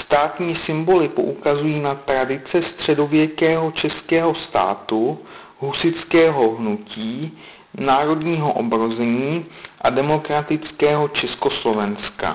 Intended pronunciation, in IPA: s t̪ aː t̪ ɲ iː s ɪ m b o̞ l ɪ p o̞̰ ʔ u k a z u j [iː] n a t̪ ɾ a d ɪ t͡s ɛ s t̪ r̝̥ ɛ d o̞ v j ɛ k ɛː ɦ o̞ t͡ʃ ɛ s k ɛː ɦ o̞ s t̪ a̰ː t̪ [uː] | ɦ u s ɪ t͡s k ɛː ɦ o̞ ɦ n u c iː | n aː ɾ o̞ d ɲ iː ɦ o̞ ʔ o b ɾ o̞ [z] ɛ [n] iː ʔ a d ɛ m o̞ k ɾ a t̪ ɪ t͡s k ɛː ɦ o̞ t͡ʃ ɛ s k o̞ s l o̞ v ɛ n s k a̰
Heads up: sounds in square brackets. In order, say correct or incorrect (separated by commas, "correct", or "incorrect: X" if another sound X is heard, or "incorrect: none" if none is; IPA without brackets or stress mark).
correct, incorrect: u, correct, incorrect: ɲ